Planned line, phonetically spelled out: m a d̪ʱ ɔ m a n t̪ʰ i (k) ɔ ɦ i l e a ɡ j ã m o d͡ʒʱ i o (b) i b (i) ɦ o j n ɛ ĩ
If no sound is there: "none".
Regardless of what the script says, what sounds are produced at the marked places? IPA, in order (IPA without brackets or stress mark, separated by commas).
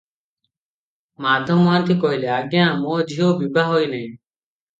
k, b, a